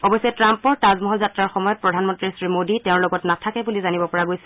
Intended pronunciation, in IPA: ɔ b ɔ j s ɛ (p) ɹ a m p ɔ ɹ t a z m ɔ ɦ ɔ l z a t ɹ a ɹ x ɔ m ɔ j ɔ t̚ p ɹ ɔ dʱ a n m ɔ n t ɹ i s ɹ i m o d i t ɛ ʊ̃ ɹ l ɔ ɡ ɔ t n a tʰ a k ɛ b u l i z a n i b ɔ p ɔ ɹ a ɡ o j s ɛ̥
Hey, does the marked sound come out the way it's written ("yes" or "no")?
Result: no